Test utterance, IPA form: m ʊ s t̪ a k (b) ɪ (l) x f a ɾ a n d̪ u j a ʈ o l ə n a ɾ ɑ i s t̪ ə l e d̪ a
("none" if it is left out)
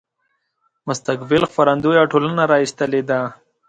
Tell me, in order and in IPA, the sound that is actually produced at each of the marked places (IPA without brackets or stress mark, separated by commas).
b, l